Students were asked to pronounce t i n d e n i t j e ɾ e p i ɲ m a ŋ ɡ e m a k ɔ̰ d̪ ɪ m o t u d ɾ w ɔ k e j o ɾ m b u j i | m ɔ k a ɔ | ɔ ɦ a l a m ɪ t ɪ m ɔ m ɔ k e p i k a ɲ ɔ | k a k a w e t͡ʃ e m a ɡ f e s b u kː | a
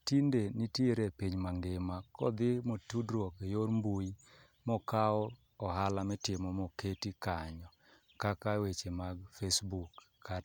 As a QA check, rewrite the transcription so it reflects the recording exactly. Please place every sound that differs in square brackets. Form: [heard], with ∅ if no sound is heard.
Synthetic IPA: t i n d e n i t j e ɾ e p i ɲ m a ŋ ɡ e m a k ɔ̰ d̪ ɪ m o t u d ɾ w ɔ k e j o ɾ m b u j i | m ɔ k a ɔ | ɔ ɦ a l a m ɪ t ɪ m ɔ m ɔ k e [t] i k a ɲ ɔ | k a k a w e t͡ʃ e m a ɡ f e s b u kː | a